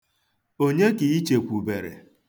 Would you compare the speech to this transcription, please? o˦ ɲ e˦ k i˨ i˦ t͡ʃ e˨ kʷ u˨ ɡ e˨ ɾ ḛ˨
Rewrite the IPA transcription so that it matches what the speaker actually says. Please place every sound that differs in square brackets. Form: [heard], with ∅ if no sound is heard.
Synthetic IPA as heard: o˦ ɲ e˦ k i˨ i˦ t͡ʃ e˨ kʷ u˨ [b] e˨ ɾ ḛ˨